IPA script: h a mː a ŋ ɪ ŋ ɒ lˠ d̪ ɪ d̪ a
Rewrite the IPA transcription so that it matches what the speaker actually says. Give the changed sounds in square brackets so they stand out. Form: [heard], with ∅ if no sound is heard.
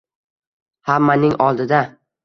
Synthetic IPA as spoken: h a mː a [n] ɪ ŋ ɒ lˠ d̪ ɪ d̪ a